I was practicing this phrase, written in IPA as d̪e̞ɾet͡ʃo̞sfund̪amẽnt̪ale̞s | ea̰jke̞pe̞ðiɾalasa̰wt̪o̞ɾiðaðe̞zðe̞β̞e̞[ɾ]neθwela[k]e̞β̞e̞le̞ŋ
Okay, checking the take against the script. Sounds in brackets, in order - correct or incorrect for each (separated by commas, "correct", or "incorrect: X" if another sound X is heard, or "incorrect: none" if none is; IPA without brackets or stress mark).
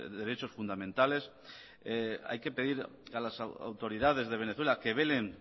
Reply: incorrect: none, correct